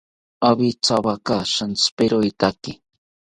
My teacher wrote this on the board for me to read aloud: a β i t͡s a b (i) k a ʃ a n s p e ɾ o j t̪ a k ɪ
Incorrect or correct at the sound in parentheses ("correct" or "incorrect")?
incorrect